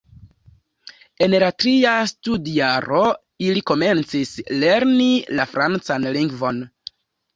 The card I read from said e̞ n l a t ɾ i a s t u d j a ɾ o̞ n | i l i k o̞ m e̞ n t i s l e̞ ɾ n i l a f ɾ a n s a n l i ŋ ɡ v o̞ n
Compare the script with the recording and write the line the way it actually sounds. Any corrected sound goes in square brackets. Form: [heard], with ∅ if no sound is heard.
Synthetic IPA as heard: e̞ n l a t ɾ i a s t u d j a ɾ o̞ [∅] | i l i k o̞ m e̞ n [t͡s] i s l e̞ ɾ n i l a f ɾ a n [t͡s] a n l i ŋ ɡ v o̞ n